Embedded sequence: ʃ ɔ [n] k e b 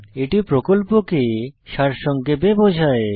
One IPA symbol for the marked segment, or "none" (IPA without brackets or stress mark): ŋ